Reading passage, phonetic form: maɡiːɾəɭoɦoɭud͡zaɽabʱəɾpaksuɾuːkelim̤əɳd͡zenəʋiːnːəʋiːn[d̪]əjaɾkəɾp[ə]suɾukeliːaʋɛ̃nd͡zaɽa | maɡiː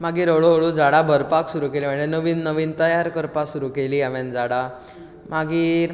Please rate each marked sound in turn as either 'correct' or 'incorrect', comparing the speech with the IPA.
incorrect: t̪, incorrect: a

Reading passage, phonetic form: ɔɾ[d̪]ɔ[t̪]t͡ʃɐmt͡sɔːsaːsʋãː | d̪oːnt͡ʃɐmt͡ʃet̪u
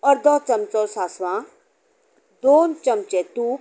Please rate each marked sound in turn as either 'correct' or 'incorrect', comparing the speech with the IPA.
correct, incorrect: none

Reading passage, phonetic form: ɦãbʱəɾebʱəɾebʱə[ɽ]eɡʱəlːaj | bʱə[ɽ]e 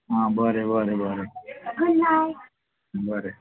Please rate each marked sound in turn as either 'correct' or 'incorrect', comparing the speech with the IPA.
incorrect: ɾ, incorrect: ɾ

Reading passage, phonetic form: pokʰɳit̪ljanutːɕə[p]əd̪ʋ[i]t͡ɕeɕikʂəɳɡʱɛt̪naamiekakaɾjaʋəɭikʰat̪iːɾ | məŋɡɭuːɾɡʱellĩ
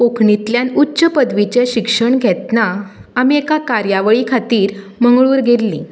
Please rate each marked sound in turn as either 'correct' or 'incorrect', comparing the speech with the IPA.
correct, correct

